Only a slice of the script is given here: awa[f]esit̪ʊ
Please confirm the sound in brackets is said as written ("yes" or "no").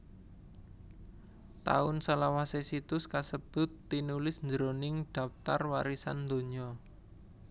no